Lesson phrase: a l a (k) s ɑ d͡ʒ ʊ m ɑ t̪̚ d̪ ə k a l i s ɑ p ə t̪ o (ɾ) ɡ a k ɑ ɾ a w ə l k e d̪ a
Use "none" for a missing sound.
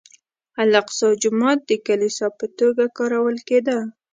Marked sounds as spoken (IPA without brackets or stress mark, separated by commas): q, none